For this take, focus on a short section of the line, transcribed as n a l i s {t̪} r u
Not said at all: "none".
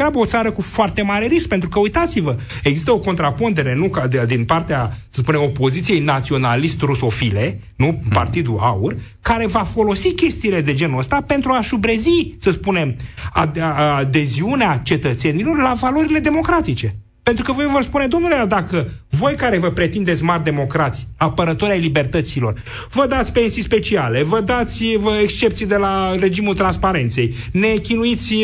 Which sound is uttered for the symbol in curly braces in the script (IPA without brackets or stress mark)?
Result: t̪